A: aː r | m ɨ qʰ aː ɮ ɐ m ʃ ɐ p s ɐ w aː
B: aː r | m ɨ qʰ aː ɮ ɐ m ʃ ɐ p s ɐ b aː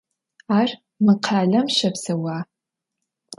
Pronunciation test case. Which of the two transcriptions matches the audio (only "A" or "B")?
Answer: A